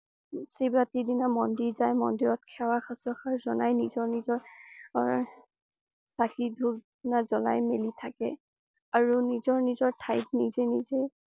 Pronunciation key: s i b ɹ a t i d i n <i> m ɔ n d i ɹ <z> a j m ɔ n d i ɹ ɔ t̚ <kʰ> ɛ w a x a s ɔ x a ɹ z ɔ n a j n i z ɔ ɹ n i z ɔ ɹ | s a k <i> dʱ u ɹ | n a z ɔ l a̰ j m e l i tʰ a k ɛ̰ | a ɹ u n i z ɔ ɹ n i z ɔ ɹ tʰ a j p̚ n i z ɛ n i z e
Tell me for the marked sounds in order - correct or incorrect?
incorrect, correct, correct, correct

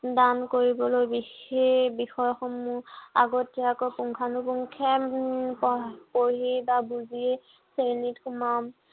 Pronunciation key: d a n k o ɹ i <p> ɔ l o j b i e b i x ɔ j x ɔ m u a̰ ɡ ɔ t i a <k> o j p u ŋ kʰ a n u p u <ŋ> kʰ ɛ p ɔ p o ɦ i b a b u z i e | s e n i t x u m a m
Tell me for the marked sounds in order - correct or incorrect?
incorrect, correct, correct

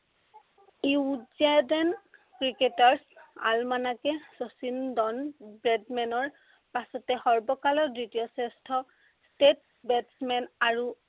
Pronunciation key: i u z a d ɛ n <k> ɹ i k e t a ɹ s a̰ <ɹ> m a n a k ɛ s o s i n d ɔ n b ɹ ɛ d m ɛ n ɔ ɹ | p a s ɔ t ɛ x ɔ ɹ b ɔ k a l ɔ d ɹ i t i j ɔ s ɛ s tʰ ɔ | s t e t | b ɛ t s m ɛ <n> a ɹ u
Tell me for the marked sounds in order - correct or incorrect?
correct, incorrect, correct

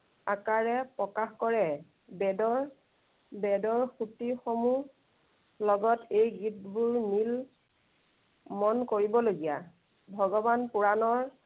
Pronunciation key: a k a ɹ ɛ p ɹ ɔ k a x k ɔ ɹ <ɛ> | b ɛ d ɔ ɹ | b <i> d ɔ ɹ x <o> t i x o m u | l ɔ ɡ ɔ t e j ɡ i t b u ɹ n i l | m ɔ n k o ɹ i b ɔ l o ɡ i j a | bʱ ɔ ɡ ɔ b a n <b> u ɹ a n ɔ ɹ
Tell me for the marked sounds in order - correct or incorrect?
correct, incorrect, incorrect, incorrect

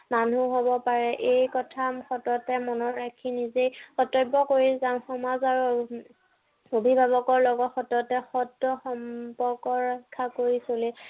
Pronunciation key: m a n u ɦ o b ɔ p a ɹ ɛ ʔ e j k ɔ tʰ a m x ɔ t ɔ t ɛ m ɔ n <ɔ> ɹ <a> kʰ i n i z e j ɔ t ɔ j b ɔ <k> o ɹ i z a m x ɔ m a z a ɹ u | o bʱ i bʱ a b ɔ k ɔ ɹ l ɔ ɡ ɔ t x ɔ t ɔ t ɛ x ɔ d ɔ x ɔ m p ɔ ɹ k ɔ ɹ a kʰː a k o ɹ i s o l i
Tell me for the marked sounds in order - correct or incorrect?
correct, correct, correct

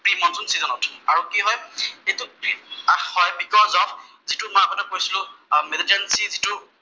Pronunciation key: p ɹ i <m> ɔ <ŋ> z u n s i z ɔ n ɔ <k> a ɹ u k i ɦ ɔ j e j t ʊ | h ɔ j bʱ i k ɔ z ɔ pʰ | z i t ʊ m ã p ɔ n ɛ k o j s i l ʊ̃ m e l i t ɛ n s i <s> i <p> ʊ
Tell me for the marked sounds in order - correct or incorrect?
correct, incorrect, incorrect, incorrect, incorrect

